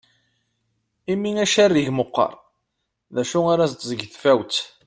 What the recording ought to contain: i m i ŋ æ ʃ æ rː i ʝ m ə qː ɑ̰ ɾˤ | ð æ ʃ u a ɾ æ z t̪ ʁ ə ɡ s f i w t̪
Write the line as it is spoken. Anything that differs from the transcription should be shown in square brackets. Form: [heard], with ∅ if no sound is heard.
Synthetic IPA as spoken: i m i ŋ æ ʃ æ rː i ʝ m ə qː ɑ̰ ɾˤ | ð æ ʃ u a ɾ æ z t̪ [z] ə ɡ [θ] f [æ] w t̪